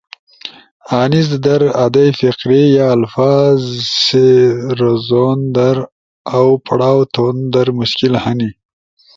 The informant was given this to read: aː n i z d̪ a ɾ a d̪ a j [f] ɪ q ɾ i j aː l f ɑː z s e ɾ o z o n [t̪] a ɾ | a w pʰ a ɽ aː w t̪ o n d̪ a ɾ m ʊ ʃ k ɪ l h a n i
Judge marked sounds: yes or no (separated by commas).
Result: yes, no